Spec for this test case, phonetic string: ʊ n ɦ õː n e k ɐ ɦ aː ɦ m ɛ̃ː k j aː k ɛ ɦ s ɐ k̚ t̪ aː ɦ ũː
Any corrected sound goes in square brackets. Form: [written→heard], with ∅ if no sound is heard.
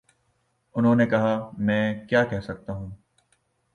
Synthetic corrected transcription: ʊ n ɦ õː n e k ɐ ɦ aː [ɦ→∅] m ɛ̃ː k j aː k ɛ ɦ s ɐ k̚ t̪ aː ɦ ũː